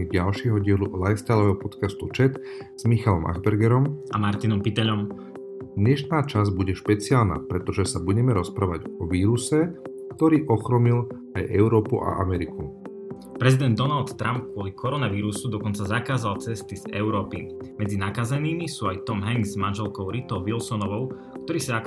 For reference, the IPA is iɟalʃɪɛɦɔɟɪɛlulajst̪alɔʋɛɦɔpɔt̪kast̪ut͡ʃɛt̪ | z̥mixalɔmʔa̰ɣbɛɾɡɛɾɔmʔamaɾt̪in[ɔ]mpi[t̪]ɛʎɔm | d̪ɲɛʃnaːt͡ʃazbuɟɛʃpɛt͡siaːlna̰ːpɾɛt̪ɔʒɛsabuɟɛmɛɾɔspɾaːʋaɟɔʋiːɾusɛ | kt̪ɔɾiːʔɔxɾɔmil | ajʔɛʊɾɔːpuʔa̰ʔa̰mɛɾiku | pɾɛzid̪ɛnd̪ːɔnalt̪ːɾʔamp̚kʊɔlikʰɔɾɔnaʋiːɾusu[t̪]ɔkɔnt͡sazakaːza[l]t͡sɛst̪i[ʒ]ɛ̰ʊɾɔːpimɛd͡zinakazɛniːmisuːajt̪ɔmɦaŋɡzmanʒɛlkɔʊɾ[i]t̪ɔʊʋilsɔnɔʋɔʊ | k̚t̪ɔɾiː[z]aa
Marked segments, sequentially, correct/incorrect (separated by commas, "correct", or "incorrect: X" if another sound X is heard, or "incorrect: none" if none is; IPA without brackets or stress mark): correct, correct, incorrect: d̪, correct, incorrect: z, correct, incorrect: s